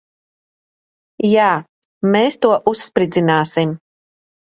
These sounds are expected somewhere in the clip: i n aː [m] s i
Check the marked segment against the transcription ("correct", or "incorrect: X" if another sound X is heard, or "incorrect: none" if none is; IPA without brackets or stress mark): incorrect: none